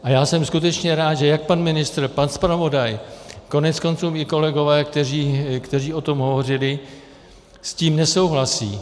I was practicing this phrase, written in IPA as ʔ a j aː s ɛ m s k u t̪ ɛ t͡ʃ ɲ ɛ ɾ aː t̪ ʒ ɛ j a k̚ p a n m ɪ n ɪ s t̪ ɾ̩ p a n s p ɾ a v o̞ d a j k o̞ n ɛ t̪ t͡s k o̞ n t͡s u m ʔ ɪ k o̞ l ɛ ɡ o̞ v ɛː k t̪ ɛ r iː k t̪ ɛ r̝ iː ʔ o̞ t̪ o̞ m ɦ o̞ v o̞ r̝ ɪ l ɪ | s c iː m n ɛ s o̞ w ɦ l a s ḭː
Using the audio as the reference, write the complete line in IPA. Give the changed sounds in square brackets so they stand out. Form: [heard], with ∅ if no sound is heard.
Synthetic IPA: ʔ a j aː s ɛ m s k u t̪ ɛ t͡ʃ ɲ ɛ ɾ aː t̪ ʒ ɛ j a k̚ p a n m ɪ n ɪ s t̪ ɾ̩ p a n s p ɾ a v o̞ d a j k o̞ n ɛ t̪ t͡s k o̞ n t͡s [uː] m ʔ ɪ k o̞ l ɛ ɡ o̞ v ɛː k t̪ ɛ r iː k t̪ ɛ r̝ iː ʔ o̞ t̪ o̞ m ɦ o̞ v o̞ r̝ ɪ l ɪ | s c iː m n ɛ s o̞ w ɦ l a s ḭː